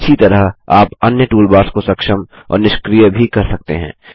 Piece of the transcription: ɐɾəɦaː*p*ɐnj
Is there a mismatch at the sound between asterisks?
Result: no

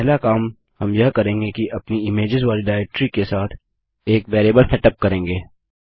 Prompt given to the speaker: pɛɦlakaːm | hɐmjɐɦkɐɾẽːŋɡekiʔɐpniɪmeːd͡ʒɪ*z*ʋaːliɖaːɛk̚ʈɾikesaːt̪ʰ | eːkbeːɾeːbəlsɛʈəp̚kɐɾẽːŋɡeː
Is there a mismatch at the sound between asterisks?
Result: no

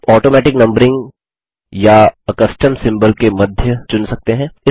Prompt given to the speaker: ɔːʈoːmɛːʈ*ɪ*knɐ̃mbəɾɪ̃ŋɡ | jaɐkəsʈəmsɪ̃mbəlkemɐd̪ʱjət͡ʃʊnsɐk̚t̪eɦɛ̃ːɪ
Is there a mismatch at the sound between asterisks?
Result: no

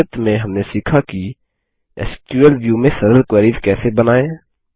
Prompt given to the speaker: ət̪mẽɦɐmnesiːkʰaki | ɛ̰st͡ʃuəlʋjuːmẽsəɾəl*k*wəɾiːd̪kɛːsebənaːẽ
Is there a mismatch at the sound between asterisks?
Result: no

